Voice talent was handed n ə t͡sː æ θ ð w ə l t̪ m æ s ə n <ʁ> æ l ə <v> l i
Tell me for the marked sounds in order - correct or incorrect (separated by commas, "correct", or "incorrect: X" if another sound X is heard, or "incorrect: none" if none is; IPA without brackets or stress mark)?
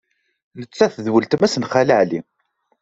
incorrect: χ, incorrect: ʕ